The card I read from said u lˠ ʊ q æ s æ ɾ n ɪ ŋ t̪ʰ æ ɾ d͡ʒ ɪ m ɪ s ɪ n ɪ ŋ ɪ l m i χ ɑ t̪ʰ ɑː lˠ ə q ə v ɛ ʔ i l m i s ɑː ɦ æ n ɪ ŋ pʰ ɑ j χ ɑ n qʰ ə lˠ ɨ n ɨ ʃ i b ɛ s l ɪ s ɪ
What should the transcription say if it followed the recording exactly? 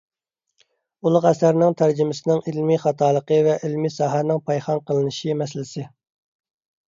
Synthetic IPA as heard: u lˠ ʊ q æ s æ ɾ n ɪ ŋ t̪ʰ æ ɾ d͡ʒ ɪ m ɪ s ɪ n ɪ ŋ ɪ l m i χ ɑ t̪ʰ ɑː lˠ ə q ə v ɛ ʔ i l m i s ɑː ɦ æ n ɪ ŋ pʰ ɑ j χ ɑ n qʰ ə lˠ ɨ n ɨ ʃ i m ɛ s l ɪ s ɪ